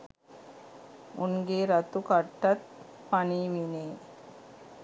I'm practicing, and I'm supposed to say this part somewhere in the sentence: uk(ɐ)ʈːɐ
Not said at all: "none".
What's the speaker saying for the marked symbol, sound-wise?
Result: ɐ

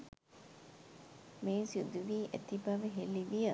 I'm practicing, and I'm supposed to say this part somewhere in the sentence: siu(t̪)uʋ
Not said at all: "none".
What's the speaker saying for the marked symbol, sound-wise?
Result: d̪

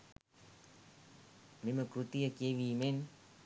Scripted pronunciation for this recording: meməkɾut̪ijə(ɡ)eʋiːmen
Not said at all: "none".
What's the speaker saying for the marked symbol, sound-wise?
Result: k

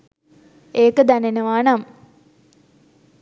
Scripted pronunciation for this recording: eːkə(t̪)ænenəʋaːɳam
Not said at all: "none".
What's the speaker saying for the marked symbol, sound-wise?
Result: d̪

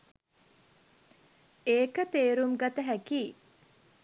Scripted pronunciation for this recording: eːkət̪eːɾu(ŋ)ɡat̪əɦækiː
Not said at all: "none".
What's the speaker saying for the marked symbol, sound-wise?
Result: m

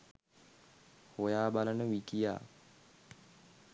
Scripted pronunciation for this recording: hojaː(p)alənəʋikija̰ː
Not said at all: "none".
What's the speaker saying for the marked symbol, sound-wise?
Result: b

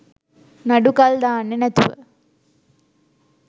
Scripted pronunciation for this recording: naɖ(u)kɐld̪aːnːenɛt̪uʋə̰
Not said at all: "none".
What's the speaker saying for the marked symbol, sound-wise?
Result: u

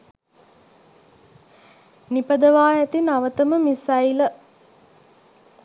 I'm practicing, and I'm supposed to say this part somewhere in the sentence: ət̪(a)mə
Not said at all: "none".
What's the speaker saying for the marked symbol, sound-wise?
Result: ə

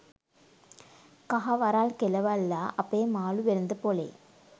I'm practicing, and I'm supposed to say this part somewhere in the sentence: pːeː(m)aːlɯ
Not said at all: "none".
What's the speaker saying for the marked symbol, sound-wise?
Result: m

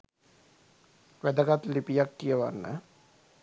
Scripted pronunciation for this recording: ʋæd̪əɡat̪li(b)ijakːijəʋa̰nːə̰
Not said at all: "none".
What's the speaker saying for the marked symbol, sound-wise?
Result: p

